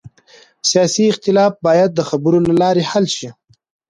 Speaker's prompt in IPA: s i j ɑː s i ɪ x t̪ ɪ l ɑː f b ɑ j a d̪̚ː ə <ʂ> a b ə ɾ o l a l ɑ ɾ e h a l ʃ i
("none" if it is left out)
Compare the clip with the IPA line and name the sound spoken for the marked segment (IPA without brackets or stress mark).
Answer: x